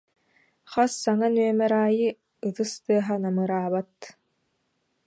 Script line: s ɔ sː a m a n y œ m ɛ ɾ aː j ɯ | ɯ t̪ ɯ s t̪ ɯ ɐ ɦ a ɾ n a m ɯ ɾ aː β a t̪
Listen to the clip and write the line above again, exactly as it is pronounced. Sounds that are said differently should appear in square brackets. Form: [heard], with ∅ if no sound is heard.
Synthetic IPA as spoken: [χ] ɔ sː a [ŋ] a n y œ m ɛ ɾ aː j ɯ | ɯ t̪ ɯ s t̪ ɯ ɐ ɦ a [∅] n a m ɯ ɾ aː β a t̪